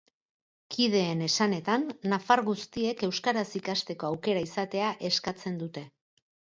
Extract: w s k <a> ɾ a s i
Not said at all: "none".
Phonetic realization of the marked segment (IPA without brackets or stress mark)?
a